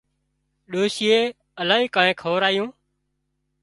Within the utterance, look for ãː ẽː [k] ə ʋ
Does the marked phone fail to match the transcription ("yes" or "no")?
yes